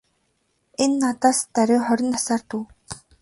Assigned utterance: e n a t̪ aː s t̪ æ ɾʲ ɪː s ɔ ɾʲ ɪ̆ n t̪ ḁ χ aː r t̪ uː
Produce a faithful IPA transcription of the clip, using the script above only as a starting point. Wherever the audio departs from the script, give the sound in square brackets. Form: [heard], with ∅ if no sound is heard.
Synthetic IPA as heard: e [nː] a t̪ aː s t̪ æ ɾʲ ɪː [χ] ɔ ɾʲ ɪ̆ n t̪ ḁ [s] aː r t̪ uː